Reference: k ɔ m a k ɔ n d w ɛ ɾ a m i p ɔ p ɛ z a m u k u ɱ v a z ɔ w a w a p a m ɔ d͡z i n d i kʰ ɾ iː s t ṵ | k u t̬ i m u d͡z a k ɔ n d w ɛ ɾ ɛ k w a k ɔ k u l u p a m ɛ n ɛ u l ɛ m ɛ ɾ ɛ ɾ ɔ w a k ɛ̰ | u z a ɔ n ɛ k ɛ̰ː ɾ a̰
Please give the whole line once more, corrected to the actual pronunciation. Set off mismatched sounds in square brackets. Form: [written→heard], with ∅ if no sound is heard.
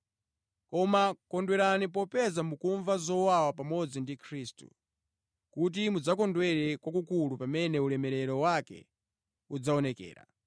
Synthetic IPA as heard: k ɔ m a k ɔ n d w ɛ ɾ a [m→n] i p ɔ p ɛ z a m u k u ɱ v a z ɔ w a w a p a m ɔ d͡z i n d i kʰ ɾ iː s t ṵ | k u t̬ i m u d͡z a k ɔ n d w ɛ ɾ ɛ k w a k [ɔ→u] k u l u p a m ɛ n ɛ u l ɛ m ɛ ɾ ɛ ɾ ɔ w a k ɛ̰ | u [z→d͡z] a ɔ n ɛ k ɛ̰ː ɾ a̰